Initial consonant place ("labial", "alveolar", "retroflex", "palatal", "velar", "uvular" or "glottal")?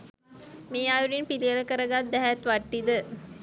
labial